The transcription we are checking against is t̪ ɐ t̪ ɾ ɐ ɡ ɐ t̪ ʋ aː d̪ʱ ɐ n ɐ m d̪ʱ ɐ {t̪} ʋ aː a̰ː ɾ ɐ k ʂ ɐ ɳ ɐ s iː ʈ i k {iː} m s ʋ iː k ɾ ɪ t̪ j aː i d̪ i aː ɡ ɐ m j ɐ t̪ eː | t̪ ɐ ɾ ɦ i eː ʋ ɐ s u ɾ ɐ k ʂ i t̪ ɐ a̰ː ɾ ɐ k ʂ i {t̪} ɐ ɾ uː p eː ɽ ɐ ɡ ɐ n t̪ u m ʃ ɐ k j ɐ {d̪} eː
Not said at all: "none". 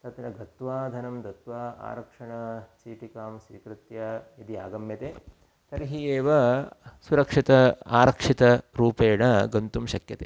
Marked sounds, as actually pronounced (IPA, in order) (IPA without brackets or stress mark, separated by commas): t̪, aː, t̪, t̪